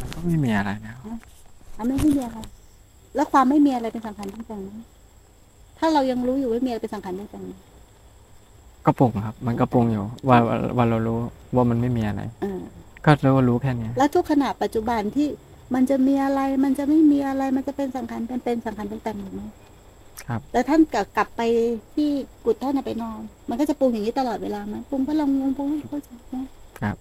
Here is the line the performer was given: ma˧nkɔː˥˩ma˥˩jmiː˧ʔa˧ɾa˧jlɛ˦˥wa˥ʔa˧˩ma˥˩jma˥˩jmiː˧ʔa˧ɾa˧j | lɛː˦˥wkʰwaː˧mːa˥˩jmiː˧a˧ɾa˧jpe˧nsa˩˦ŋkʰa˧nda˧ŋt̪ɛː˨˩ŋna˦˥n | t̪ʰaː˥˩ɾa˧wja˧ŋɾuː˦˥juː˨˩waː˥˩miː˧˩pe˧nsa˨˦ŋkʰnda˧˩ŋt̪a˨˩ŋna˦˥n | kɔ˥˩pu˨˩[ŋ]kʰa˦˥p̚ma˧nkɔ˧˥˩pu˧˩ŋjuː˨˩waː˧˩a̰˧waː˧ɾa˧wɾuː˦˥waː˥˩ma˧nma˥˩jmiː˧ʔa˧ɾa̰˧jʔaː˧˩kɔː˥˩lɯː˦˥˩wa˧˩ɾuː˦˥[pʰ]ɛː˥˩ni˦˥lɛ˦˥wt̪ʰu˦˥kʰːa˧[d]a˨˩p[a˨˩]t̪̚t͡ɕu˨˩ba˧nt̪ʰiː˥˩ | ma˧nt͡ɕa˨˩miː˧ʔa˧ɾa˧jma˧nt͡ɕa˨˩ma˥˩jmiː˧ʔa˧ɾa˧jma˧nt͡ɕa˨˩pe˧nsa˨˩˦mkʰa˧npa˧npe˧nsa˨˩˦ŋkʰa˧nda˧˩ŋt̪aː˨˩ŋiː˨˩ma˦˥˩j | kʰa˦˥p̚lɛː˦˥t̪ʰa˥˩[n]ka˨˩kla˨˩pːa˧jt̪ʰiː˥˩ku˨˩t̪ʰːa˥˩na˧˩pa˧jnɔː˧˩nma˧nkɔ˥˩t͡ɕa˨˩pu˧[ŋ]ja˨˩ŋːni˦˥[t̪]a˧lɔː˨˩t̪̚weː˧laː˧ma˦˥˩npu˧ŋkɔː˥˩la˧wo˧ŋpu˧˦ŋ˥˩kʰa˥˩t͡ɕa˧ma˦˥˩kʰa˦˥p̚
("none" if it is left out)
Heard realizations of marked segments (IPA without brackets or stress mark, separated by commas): ŋ, kʰ, n, a˨˩, n, ŋ, t̪